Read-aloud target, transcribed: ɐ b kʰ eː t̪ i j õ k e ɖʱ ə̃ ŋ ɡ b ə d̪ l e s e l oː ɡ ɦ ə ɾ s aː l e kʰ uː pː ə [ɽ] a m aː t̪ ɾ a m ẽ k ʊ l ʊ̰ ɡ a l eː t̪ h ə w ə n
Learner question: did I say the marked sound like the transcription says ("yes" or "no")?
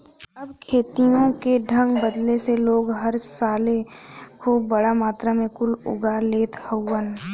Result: yes